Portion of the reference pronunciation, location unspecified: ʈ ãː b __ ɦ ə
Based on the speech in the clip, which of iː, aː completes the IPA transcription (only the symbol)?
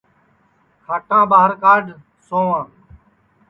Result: aː